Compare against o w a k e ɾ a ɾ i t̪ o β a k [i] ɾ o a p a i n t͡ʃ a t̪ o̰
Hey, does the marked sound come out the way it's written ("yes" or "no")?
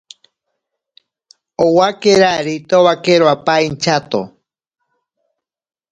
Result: no